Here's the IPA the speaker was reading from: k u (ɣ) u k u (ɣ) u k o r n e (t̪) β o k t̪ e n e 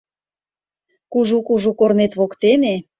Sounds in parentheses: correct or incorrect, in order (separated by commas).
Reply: incorrect, incorrect, correct